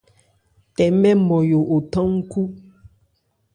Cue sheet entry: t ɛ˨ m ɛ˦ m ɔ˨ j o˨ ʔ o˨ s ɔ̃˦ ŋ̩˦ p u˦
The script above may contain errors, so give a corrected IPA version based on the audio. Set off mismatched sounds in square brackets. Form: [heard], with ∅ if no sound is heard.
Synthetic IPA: t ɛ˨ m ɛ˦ m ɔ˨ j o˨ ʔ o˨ [t] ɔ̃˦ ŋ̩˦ [k] u˦